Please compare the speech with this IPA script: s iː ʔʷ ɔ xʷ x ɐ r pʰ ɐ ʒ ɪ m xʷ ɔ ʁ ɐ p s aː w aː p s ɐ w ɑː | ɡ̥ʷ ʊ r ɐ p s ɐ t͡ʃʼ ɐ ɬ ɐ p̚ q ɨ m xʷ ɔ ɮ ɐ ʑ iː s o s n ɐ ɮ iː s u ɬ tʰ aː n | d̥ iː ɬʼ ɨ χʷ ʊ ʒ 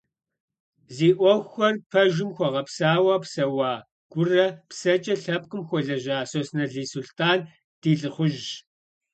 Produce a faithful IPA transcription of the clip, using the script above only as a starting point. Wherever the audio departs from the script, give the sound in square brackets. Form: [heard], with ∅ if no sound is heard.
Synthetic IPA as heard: [z] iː ʔʷ ɔ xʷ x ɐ r pʰ ɐ ʒ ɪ m xʷ ɔ ʁ ɐ p s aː w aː p s ɐ w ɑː | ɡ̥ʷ ʊ r ɐ p s ɐ t͡ʃʼ ɐ ɬ ɐ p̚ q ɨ m xʷ ɔ ɮ ɐ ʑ [aː] s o s n ɐ ɮ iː s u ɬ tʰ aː n | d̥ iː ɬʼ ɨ χʷ ʊ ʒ